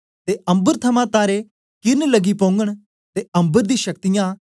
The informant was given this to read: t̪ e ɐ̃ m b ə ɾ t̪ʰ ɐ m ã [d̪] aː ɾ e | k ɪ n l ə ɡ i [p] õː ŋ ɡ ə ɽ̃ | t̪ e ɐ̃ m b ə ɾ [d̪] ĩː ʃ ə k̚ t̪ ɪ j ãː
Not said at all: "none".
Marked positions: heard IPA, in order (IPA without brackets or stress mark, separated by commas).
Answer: t̪, p, d̪